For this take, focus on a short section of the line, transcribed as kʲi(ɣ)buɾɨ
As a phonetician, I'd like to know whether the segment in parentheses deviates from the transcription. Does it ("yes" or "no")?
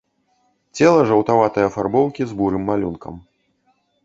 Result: yes